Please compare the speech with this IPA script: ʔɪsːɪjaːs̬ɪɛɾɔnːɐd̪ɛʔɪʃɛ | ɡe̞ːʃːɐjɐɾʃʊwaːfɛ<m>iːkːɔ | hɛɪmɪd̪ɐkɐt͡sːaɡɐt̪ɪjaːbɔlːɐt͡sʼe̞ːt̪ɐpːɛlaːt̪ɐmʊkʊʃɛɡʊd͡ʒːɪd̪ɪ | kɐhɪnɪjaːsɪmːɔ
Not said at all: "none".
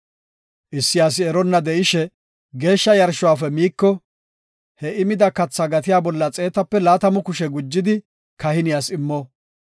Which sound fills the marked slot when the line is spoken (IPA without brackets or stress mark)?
m